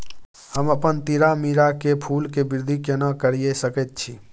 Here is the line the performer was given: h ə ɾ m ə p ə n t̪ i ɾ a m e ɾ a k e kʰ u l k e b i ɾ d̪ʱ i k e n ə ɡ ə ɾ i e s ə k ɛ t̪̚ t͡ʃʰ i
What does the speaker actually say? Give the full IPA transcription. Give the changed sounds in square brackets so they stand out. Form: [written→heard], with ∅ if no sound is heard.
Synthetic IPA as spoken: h ə [ɾ→∅] m ə p ə n t̪ i ɾ a m [e→i] ɾ a k e [kʰ→pʰ] u l k e b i ɾ d̪ʱ i k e n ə [ɡ→k] ə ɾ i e s ə k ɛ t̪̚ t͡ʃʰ i